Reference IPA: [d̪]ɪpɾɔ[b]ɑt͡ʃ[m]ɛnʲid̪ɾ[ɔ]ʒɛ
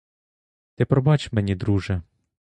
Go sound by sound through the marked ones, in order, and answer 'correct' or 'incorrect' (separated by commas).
incorrect, correct, correct, incorrect